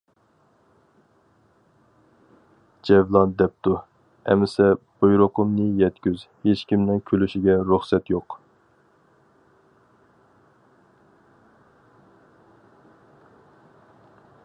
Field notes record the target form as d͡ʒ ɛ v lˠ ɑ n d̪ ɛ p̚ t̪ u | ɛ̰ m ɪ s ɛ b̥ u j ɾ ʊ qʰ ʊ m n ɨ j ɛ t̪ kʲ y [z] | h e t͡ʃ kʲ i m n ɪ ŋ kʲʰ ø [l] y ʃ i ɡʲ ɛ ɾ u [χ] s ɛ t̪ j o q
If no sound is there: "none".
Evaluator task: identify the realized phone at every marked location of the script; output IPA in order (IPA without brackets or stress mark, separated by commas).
z, l, χ